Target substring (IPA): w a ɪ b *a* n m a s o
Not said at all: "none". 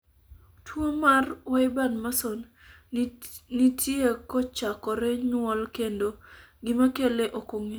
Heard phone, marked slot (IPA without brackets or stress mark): a